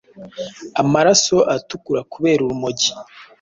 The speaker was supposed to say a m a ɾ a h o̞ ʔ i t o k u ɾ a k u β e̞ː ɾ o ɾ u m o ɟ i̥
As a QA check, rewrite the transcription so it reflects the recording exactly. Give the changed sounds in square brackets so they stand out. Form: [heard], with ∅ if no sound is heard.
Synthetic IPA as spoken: a m a ɾ a [s] o̞ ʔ [a] t [u] k u ɾ a k u β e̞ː ɾ [u] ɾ u m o ɟ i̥